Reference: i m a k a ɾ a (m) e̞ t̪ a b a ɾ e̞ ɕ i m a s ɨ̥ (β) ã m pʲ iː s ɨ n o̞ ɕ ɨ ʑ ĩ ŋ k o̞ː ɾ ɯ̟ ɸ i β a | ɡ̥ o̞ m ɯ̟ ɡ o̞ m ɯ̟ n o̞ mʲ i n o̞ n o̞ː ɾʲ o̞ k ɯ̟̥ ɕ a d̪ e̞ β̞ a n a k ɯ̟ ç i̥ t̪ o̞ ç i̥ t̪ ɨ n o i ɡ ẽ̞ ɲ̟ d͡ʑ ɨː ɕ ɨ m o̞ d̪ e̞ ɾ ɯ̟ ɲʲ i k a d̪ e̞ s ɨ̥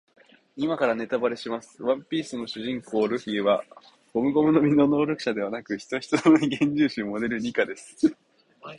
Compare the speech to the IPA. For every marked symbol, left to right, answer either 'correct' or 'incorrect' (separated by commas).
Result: incorrect, correct